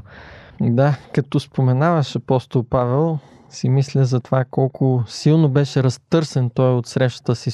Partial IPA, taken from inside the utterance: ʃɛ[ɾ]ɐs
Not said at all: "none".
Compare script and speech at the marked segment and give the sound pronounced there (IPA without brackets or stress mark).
ɾ